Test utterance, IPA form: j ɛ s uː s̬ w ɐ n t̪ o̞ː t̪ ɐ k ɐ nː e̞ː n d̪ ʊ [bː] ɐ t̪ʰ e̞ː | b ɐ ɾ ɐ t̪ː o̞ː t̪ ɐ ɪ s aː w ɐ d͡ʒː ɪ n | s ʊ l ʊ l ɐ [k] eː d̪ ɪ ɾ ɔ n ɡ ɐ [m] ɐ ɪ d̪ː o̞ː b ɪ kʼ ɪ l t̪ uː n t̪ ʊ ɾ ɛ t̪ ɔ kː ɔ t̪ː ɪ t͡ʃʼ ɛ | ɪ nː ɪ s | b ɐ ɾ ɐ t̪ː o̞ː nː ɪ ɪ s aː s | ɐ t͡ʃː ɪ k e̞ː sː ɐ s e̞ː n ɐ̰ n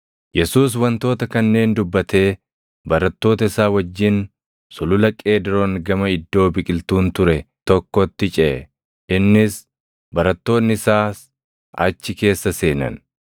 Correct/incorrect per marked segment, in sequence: correct, incorrect: kʼ, correct

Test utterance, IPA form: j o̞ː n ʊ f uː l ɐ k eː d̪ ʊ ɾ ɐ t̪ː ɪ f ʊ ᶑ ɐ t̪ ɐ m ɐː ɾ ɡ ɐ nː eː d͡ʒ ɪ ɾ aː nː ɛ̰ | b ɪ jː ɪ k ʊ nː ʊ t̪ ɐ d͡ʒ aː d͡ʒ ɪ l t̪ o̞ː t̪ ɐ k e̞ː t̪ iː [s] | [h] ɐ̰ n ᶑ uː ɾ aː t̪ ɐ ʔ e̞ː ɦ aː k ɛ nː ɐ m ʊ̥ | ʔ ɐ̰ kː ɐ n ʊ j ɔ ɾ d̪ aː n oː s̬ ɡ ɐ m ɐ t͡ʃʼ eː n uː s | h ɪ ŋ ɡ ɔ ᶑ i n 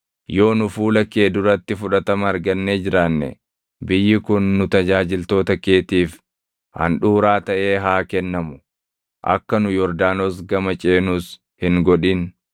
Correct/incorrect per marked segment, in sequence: incorrect: f, correct

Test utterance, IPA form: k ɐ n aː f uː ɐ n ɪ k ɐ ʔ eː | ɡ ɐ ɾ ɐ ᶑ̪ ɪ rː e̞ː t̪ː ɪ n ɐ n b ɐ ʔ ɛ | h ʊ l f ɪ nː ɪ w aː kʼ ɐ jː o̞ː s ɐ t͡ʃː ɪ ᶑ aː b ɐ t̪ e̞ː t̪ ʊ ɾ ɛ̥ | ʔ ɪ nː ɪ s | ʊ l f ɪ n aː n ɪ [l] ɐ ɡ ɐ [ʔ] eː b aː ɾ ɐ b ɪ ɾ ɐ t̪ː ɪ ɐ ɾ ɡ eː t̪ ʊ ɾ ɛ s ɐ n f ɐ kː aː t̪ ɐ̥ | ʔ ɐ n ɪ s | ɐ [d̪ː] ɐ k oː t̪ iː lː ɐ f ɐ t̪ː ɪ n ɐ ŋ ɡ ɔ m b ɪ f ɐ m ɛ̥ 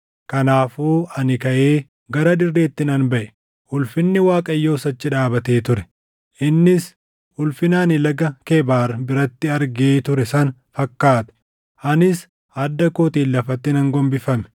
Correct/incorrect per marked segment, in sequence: correct, incorrect: k, correct

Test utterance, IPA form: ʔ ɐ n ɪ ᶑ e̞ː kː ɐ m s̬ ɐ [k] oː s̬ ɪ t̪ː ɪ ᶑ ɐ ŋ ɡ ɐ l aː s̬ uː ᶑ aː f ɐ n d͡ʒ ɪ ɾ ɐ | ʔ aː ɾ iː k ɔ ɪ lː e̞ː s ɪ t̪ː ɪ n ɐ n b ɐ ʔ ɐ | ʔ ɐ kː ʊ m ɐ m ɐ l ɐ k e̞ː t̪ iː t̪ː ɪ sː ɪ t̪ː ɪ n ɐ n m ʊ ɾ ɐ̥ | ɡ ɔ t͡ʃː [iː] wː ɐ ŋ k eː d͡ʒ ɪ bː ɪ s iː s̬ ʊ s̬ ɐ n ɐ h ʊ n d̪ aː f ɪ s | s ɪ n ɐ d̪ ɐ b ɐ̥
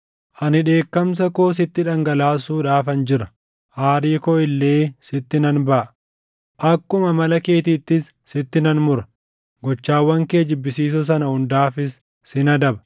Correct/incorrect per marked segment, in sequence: correct, incorrect: aː

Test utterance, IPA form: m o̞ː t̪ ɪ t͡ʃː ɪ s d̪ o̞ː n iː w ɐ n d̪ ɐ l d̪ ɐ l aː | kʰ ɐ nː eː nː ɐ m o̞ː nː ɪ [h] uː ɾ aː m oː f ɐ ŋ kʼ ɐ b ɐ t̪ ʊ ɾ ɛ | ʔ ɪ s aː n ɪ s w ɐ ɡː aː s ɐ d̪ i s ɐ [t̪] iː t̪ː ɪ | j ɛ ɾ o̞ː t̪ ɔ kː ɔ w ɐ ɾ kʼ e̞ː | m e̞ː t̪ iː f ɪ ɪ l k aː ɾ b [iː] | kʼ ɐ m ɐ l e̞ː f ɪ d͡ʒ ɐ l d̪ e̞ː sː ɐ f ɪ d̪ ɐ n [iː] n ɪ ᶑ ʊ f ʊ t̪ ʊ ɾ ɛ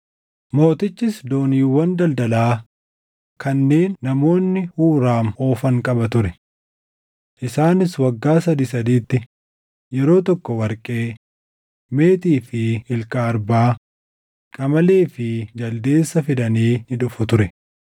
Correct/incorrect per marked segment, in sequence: correct, incorrect: d̪, incorrect: aː, correct

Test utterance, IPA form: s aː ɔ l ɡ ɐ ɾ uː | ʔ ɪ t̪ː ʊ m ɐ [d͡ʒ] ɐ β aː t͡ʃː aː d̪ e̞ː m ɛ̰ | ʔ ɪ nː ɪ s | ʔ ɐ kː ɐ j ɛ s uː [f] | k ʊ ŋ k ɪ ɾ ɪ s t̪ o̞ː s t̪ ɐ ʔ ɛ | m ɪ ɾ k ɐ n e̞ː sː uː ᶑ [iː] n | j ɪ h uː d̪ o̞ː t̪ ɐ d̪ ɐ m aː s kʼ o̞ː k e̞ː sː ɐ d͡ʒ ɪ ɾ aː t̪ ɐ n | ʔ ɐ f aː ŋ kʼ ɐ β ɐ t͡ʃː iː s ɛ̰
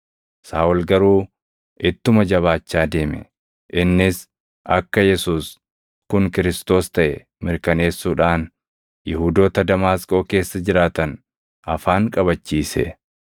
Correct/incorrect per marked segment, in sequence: correct, incorrect: s, incorrect: aː

